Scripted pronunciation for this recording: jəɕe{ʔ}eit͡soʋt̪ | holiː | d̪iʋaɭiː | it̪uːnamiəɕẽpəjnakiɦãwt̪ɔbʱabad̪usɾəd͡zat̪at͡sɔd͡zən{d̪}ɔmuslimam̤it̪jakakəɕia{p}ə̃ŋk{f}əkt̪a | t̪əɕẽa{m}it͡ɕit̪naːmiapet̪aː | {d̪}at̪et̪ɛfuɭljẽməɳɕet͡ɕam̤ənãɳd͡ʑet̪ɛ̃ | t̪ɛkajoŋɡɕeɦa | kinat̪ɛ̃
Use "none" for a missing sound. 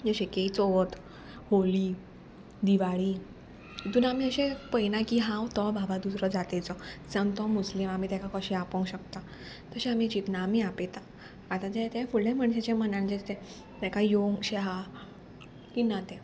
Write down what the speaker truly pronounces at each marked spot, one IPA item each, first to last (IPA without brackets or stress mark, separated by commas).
k, t̪, p, ɕ, m, t̪